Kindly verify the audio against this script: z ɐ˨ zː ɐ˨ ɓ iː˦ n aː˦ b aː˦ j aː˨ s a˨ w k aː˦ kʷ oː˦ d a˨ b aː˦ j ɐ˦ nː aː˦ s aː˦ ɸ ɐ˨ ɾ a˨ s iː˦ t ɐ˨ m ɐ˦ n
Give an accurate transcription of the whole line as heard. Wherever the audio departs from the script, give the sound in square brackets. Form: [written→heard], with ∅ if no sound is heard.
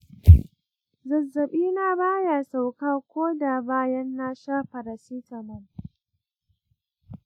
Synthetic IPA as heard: z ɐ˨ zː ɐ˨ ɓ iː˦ n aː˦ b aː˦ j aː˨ s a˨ w k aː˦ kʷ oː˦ d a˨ b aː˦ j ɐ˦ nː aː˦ [s→ʃ] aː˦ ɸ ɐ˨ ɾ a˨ s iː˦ t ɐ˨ m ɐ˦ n